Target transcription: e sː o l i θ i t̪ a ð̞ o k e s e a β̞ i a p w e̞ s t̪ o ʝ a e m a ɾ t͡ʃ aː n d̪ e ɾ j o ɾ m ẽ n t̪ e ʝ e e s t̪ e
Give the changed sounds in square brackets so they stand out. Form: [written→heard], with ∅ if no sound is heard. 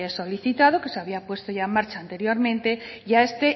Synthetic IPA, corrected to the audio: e [sː→s] o l i θ i t̪ a ð̞ o k e s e a β̞ i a p w e̞ s t̪ o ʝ a e m a ɾ t͡ʃ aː n [d̪→t̪] e ɾ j o ɾ m ẽ n t̪ e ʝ [e→a] e s t̪ e